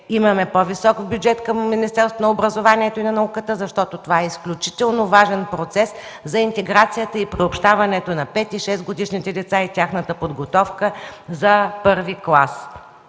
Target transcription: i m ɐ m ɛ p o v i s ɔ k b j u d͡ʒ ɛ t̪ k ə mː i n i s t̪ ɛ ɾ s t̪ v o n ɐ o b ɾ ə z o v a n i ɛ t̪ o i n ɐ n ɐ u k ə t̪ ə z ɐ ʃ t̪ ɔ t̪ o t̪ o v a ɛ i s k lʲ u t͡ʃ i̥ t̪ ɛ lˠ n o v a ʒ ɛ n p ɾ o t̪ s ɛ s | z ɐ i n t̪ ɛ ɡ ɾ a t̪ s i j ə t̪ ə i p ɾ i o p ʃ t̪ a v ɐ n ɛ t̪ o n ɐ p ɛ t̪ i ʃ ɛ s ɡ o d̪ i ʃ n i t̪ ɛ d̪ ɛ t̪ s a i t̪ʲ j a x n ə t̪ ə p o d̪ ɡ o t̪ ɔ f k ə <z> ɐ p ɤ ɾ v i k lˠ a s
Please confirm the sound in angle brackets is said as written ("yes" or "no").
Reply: yes